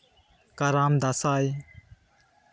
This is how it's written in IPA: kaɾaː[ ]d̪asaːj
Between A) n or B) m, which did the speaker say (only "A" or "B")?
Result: B